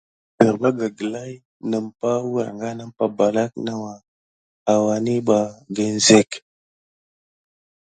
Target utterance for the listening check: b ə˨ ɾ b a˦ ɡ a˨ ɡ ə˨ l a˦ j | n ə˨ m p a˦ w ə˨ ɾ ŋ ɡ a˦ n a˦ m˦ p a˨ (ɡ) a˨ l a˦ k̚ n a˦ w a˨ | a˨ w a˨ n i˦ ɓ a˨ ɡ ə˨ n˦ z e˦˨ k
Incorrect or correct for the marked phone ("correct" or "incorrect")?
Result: incorrect